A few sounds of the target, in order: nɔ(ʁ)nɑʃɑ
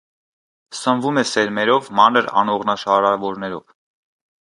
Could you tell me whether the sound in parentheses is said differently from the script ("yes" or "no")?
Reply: no